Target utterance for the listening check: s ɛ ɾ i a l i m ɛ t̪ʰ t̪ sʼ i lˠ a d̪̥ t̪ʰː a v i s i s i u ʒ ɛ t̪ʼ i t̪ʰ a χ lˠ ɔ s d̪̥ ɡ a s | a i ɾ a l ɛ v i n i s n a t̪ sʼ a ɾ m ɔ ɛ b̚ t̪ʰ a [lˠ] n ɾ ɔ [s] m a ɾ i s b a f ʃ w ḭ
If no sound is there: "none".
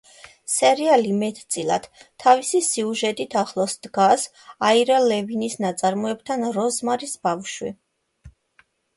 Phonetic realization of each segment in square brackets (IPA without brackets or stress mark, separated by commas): none, z